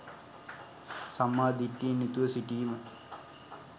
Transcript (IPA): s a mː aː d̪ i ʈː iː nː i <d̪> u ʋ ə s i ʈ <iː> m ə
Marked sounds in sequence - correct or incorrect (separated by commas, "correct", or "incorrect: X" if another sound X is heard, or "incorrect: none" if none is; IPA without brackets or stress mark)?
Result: incorrect: t̪, correct